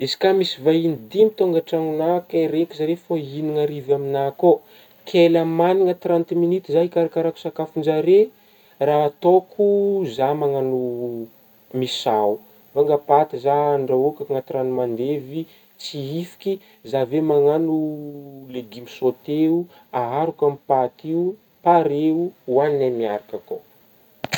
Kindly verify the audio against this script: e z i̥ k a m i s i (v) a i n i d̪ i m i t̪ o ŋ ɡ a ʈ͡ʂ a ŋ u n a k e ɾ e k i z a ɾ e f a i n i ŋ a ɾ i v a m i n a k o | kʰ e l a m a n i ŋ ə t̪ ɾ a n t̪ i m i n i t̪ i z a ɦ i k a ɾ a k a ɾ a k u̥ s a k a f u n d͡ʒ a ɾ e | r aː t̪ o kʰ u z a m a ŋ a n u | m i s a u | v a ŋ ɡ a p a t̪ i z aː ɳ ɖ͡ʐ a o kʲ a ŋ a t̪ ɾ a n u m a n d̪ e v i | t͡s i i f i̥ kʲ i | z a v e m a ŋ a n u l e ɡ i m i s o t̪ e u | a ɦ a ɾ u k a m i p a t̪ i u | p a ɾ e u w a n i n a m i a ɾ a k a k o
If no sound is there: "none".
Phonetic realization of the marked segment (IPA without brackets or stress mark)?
v